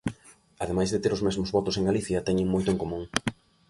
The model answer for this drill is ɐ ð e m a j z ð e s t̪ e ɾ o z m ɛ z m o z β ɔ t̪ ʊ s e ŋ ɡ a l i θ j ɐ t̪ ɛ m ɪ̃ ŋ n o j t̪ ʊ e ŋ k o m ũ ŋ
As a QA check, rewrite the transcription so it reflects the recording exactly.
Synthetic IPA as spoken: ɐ ð e m a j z ð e t̪ e ɾ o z m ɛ z m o z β ɔ t̪ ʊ s e ŋ ɡ a l i θ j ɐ t̪ ɛ ɲ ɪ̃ ŋ m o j t̪ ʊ e ŋ k o m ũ ŋ